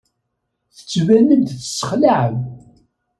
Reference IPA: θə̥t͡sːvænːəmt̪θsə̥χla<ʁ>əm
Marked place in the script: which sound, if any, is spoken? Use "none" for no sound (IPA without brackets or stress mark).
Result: ʕ